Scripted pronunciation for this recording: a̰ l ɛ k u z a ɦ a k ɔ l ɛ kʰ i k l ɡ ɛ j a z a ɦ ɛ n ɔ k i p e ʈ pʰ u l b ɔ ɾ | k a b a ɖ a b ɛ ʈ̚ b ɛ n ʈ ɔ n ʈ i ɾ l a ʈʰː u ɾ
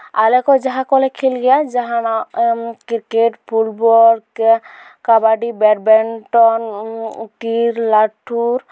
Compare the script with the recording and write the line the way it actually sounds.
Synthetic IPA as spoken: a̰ l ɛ k ɔ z a ɦ a k ɔ l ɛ kʰ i l ɡ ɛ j a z a ɦ a n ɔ k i k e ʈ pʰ u l b ɔ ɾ | k a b a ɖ i b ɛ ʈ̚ b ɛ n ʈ ɔ n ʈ i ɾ l a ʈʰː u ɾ